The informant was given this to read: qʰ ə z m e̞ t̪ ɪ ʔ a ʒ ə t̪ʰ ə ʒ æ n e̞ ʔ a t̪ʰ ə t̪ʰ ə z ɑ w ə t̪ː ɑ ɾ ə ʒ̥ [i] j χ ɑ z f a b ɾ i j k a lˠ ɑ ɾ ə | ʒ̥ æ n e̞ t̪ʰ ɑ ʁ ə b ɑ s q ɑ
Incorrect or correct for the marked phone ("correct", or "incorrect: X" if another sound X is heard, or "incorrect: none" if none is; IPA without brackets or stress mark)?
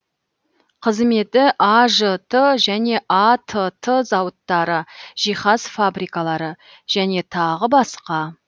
correct